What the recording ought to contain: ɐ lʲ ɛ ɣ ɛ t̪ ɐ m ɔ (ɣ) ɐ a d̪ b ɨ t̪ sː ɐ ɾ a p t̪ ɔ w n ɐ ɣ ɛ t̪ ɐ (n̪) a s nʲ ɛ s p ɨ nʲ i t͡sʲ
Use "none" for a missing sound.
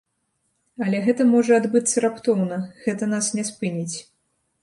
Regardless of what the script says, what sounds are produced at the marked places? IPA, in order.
ʐ, n̪

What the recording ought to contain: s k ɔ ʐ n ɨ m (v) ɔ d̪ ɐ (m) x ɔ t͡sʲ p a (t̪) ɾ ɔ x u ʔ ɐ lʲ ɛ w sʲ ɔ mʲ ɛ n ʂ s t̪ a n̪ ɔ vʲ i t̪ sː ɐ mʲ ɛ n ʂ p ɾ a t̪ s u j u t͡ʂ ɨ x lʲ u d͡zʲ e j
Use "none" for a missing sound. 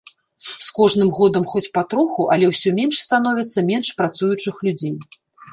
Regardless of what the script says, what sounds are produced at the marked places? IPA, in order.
ɣ, m, t̪

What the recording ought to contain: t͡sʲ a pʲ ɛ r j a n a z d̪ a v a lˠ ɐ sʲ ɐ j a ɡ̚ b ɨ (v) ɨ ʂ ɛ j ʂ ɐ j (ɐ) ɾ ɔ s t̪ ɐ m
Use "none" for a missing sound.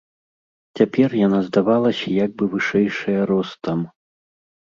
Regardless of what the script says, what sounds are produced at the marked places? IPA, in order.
v, ɐ

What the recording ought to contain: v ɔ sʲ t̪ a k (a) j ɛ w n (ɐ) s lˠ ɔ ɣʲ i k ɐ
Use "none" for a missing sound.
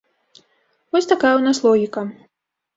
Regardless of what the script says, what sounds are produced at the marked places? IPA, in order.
a, a

